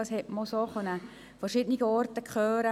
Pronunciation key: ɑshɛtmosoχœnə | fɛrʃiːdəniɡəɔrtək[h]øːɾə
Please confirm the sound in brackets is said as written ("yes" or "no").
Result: no